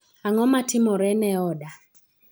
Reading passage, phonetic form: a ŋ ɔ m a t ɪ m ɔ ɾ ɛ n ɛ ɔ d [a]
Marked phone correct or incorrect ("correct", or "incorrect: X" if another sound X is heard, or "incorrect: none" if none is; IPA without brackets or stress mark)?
correct